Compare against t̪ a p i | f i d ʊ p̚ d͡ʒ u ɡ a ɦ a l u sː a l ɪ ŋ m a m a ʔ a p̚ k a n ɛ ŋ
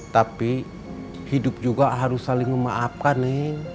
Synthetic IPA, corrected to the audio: t̪ a p i | h i d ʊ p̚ d͡ʒ u ɡ a ɦ a ɾ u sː a l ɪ ŋ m ə m a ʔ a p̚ k a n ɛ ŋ